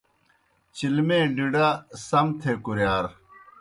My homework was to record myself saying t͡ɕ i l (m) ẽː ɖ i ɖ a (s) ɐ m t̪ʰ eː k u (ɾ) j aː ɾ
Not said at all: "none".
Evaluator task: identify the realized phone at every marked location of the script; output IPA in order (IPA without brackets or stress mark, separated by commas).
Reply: m, s, ɾ